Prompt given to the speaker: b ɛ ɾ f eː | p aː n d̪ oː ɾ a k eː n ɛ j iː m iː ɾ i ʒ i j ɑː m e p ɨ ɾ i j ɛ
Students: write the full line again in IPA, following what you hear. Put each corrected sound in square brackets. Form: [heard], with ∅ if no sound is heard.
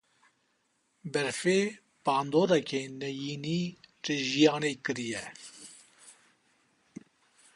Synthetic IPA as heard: b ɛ ɾ f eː | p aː n d̪ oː ɾ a k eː n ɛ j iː [n] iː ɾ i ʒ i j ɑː [n] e [k] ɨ ɾ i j ɛ

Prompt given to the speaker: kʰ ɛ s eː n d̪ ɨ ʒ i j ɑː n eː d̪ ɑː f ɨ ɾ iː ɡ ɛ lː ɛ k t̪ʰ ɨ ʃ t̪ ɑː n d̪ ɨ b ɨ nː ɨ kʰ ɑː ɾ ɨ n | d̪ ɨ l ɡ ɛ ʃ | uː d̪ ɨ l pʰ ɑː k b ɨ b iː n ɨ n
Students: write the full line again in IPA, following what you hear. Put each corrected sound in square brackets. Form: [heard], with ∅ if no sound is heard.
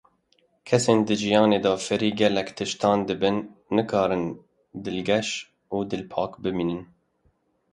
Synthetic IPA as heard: kʰ ɛ s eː n d̪ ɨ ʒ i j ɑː n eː d̪ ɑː f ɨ ɾ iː ɡ ɛ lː ɛ k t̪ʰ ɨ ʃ t̪ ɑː n d̪ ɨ b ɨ nː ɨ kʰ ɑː ɾ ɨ n | d̪ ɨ l ɡ ɛ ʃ | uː d̪ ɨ l pʰ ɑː k b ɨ [m] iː n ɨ n

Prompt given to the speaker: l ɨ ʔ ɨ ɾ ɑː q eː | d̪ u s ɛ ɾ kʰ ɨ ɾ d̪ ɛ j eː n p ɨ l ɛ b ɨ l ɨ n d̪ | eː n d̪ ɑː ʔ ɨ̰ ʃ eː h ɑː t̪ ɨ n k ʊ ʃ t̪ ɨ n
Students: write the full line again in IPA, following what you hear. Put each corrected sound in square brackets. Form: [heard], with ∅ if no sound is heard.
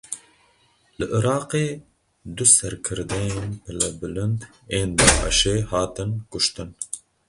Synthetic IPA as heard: l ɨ ʔ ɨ ɾ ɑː q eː | d̪ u s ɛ ɾ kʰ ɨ ɾ d̪ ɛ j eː n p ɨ l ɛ b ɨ l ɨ n d̪ | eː n d̪ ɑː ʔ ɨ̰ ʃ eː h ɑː t̪ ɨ n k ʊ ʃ t̪ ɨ n

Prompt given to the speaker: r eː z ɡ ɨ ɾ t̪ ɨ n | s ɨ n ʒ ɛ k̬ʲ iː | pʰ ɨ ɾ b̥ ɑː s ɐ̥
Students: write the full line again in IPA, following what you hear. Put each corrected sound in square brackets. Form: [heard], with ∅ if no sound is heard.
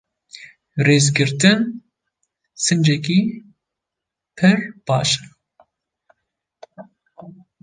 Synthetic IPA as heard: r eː z ɡ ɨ ɾ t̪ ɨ n | s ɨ n [d͡ʒ] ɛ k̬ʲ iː | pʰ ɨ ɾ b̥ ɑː [ʃ] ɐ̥

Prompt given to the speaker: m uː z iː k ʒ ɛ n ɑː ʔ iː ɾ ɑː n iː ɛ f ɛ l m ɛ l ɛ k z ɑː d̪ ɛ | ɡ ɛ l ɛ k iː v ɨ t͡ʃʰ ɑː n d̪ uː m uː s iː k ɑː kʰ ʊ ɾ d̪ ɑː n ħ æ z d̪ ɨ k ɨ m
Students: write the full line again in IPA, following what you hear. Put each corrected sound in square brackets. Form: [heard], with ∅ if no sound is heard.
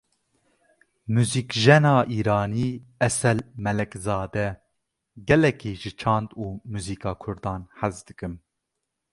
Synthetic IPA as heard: m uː z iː k ʒ ɛ n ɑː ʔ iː ɾ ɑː n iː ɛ [s] ɛ l m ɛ l ɛ k z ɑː d̪ ɛ | ɡ ɛ l ɛ k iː [ʒ] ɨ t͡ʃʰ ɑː n d̪ uː m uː [z] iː k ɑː kʰ ʊ ɾ d̪ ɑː n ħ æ z d̪ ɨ k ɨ m

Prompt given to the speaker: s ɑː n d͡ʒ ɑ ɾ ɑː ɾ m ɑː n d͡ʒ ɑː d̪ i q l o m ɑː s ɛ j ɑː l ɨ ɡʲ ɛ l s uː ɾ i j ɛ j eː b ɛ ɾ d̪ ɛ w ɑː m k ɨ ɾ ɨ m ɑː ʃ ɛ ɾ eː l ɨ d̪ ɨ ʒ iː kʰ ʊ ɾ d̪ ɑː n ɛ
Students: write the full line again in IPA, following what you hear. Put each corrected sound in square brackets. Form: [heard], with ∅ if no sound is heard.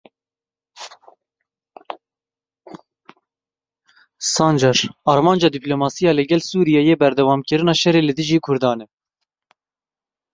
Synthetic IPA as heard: s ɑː n d͡ʒ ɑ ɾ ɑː ɾ m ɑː n d͡ʒ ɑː d̪ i [p] l o m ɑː s [i] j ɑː l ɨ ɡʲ ɛ l s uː ɾ i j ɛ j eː b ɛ ɾ d̪ ɛ w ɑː m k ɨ ɾ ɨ [n] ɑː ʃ ɛ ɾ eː l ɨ d̪ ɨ ʒ iː kʰ ʊ ɾ d̪ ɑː n ɛ

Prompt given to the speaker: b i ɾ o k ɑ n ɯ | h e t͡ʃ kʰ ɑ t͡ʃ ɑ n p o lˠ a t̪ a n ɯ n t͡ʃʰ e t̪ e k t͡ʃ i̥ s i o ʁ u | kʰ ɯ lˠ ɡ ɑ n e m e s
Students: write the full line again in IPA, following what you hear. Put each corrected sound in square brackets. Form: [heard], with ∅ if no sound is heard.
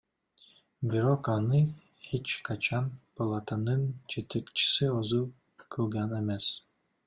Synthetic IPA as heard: b i ɾ o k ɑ n ɯ | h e t͡ʃ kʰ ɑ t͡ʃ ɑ n p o lˠ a t̪ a n ɯ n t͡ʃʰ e t̪ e k t͡ʃ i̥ s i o [z] u | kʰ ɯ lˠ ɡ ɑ n e m e s

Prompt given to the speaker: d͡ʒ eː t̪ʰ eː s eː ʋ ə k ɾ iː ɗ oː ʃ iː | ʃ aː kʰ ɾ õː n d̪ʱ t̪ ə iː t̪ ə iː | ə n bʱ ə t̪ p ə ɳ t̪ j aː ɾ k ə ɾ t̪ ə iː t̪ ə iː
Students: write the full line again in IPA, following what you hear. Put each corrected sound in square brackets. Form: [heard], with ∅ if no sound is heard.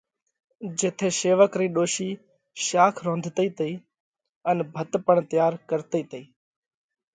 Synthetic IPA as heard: d͡ʒ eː t̪ʰ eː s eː ʋ ə k ɾ iː ɗ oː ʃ iː | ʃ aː kʰ ɾ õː n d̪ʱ t̪ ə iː t̪ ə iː | ə n bʱ ə t̪ p ə ɳ t̪ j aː ɾ k ə ɾ t̪ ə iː t̪ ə iː

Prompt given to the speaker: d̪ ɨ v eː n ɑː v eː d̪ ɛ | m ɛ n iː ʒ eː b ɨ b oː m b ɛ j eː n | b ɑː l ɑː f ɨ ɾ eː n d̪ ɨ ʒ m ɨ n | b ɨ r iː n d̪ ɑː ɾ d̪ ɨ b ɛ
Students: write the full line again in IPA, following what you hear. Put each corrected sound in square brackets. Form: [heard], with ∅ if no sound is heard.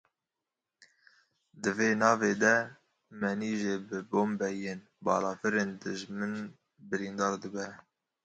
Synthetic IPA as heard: d̪ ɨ v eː n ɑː v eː d̪ ɛ | m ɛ n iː ʒ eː b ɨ b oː m b ɛ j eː n | b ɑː l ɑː f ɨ ɾ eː n d̪ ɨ ʒ m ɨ n | b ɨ [ɾ] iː n d̪ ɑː ɾ d̪ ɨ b ɛ

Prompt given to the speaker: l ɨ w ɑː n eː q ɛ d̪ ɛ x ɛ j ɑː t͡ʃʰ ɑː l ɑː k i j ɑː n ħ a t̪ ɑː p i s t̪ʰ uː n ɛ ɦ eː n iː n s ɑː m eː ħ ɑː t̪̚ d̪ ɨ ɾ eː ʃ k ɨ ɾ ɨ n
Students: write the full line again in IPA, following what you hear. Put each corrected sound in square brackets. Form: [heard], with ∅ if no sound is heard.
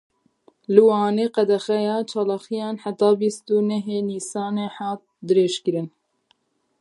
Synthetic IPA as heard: l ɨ w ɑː n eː q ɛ d̪ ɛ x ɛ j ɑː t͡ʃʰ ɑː l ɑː [x] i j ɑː n ħ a t̪ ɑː [b] i s [t̪] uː n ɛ ɦ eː n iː [∅] s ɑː [n] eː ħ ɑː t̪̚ d̪ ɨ ɾ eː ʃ k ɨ ɾ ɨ n

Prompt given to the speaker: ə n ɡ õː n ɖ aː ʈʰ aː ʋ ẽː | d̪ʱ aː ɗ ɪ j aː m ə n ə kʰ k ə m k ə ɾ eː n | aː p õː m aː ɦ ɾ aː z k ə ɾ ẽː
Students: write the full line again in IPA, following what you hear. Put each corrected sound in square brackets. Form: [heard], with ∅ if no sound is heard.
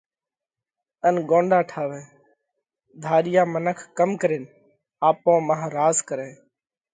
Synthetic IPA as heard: ə n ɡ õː [ɳ] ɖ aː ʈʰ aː ʋ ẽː | d̪ʱ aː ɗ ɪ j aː m ə n ə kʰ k ə m k ə ɾ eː n | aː p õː m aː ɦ ɾ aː z k ə ɾ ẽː

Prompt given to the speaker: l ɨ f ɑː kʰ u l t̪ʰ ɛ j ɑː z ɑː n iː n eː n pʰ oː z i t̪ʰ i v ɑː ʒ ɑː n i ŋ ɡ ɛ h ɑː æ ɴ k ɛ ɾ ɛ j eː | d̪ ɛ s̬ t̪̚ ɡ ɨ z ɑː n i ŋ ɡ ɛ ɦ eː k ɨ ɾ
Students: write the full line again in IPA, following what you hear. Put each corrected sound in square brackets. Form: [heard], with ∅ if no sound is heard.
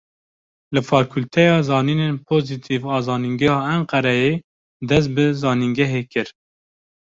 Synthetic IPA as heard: l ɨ f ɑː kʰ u l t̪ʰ ɛ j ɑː z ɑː n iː n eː n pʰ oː z i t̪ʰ i v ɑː [z] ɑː n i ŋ ɡ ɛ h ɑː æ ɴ [q] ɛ ɾ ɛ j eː | d̪ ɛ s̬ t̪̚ [b] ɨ z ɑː n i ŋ ɡ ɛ ɦ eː k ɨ ɾ

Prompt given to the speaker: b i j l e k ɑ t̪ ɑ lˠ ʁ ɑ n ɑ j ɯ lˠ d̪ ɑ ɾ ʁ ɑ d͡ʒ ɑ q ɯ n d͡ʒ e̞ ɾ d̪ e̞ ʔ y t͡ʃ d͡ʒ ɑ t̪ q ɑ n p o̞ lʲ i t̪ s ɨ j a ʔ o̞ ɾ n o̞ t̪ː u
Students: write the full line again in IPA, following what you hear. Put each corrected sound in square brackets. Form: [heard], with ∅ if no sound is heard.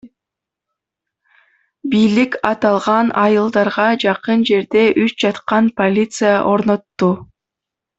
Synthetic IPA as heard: b i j l [i] k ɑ t̪ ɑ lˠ ʁ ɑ n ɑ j ɯ lˠ d̪ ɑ ɾ ʁ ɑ d͡ʒ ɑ q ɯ n d͡ʒ e̞ ɾ d̪ e̞ ʔ y t͡ʃ d͡ʒ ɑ t̪ q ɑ n p o̞ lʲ i t̪ s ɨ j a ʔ o̞ ɾ n o̞ t̪ː u

